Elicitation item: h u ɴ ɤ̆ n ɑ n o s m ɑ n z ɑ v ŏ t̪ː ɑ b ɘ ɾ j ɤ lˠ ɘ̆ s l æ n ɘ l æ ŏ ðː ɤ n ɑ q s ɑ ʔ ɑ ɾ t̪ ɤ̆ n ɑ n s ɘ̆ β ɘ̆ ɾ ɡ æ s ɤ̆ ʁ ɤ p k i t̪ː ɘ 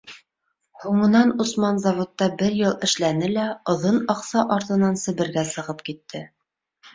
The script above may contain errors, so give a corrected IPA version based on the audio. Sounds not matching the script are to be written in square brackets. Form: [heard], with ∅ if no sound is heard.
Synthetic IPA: h u ɴ ɤ̆ n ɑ n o s m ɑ n z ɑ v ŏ t̪ː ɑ b ɘ ɾ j ɤ lˠ ɘ̆ [ʃ] l æ n ɘ l æ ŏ [ð] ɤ n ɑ q s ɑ ʔ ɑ ɾ t̪ ɤ̆ n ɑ n s ɘ̆ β ɘ̆ ɾ ɡ æ s ɤ̆ ʁ ɤ p k i t̪ː ɘ